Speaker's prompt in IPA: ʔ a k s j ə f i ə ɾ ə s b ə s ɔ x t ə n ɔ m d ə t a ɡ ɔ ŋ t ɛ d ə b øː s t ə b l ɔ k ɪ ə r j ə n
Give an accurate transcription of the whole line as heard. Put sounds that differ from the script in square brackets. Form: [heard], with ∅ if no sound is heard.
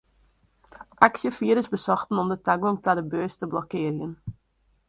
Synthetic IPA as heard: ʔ a k s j ə f i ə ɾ ə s b ə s ɔ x t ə n ɔ m d ə t a ɡ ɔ ŋ t [a] d ə b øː s t ə b l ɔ k ɪ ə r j ə n